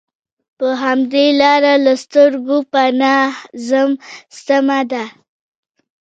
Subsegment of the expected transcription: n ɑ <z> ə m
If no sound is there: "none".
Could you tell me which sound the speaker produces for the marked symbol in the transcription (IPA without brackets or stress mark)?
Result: z